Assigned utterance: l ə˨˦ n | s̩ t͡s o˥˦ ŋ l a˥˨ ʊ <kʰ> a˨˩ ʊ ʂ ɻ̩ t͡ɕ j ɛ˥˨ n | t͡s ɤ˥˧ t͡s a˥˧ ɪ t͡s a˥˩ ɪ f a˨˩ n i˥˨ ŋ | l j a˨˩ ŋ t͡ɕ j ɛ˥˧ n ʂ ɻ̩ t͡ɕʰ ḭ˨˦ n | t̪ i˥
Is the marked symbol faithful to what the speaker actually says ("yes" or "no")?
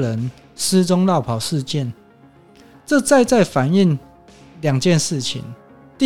no